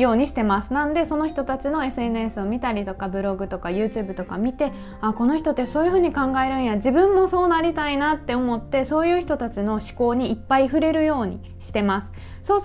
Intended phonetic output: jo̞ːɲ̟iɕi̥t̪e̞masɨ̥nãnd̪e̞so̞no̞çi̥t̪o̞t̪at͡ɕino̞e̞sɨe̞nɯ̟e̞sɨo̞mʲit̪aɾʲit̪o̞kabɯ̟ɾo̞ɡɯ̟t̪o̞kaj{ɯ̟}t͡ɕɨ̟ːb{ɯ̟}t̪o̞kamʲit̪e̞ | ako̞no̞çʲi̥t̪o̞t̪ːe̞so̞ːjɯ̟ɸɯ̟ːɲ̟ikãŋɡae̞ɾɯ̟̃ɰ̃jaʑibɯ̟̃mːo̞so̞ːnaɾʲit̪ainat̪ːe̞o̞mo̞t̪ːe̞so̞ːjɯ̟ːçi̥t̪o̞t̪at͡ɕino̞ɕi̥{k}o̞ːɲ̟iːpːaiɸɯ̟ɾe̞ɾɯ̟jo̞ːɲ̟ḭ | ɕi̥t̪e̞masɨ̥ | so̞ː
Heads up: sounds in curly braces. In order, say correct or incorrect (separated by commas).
incorrect, correct, correct